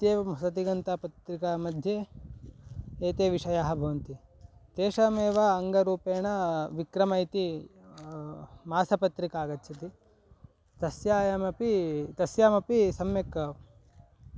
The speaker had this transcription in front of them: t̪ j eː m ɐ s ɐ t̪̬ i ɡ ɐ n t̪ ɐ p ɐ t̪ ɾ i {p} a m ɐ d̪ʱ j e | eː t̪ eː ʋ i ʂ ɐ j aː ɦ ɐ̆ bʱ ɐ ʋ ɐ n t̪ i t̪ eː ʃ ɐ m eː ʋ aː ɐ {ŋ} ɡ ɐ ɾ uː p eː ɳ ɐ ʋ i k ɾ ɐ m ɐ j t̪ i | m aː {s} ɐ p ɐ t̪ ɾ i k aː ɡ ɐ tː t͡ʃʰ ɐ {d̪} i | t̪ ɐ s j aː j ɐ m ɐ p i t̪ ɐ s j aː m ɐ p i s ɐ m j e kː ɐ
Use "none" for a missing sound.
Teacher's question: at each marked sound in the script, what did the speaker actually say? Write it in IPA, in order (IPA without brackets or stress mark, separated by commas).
k, ŋ, s, t̪